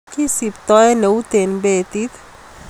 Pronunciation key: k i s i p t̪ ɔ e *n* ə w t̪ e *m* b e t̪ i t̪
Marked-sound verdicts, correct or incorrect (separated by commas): correct, incorrect